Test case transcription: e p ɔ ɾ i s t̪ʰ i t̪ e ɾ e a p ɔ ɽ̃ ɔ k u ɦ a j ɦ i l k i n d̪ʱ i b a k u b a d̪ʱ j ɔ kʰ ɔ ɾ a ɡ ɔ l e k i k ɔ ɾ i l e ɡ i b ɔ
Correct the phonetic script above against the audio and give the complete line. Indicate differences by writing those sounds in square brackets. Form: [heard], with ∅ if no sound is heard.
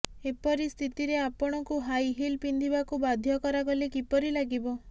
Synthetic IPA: e p ɔ ɾ i s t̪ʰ i t̪ [i] ɾ e a p ɔ ɽ̃ ɔ k u ɦ a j ɦ i l [p] i n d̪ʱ i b a k u b a d̪ʱ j ɔ [k] ɔ ɾ a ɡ ɔ l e k i [p] ɔ ɾ i l [a] ɡ i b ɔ